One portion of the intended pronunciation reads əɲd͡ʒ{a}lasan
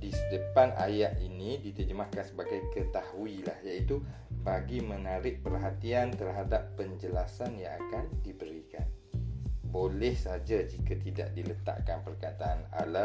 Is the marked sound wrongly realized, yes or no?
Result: yes